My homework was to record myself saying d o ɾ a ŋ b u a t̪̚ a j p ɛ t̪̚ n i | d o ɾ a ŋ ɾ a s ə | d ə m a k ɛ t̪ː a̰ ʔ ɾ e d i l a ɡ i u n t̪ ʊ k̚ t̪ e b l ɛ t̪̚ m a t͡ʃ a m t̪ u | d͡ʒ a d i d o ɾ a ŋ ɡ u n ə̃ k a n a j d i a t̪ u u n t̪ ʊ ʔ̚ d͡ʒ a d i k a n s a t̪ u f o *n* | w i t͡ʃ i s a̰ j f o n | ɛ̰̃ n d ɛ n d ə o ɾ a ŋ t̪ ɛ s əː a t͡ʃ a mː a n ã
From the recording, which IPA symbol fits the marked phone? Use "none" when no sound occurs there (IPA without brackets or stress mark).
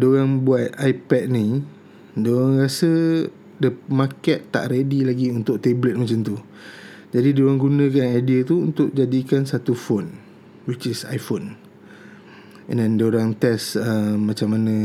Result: n